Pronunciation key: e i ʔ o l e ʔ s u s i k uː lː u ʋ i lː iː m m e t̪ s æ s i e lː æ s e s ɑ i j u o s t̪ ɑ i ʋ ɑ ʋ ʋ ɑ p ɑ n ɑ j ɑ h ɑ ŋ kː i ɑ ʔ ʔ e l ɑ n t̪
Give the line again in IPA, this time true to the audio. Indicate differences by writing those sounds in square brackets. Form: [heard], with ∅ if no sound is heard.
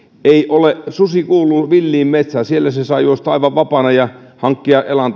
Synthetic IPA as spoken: e i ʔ o l e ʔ s u s i k uː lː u ʋ i lː iː m m e t̪ s æ s i e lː æ s e s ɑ i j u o s t̪ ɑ i ʋ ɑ ʋ ʋ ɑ p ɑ n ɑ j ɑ h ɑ ŋ kː i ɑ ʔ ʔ e l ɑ n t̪